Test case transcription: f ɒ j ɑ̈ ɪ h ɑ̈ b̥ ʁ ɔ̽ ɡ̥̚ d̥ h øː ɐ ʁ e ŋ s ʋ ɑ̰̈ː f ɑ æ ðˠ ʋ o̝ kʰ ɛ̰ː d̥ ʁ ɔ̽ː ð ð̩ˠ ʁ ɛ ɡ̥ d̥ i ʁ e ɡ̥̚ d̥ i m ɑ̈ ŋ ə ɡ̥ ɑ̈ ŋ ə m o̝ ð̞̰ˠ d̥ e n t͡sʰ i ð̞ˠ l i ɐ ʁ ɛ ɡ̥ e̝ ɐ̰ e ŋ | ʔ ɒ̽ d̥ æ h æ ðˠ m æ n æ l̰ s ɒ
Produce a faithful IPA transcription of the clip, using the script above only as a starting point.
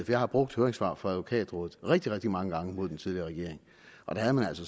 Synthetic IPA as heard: f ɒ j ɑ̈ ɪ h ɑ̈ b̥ ʁ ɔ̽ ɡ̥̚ d̥ h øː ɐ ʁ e ŋ s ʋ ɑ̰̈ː f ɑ æ ðˠ ʋ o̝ kʰ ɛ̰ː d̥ ʁ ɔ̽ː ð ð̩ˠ ʁ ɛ ɡ̥ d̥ i ʁ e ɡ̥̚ d̥ i m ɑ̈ ŋ ə ɡ̥ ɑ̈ ŋ ə m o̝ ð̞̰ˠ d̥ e n t͡sʰ i ð̞ˠ l i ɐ ʁ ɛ ɡ̥ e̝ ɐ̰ e ŋ | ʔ ɒ̽ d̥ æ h æ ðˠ m æ n æ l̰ s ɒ